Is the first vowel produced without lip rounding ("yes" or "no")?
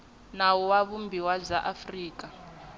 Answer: yes